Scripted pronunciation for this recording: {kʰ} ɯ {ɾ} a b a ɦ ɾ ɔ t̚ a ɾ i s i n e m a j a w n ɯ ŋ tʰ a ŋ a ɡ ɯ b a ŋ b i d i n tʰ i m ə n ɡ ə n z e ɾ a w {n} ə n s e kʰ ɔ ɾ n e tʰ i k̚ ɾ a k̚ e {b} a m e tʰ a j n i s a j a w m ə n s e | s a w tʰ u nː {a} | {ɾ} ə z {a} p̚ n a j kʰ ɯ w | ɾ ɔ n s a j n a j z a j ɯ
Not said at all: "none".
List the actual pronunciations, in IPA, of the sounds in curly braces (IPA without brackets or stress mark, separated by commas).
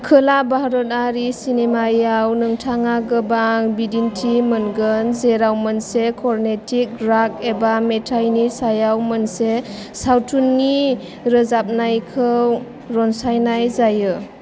kʰ, l, m, b, i, ɾ, a